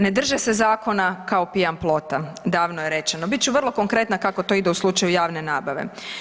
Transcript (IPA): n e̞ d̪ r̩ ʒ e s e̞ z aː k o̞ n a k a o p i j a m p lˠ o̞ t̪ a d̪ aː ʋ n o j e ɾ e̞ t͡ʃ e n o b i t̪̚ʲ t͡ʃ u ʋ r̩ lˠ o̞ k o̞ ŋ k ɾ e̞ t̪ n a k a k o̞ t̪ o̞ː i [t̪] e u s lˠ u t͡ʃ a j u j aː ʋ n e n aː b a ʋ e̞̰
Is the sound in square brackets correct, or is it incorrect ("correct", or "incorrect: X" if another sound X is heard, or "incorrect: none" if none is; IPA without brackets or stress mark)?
incorrect: d̪